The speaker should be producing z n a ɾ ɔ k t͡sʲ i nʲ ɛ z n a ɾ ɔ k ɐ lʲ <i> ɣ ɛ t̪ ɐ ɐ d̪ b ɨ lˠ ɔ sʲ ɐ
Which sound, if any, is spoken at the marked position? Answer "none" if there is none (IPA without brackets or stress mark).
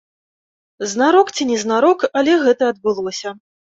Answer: ɛ